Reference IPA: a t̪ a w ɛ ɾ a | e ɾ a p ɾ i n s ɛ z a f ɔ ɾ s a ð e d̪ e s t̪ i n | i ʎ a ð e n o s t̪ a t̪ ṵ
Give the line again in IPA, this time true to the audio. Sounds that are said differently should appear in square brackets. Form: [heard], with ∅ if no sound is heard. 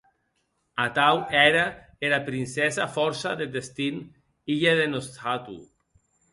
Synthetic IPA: a t̪ a w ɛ ɾ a | e ɾ a p ɾ i n s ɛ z a f ɔ ɾ s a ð e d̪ e s t̪ i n | i ʎ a ð e n o s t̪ a t̪ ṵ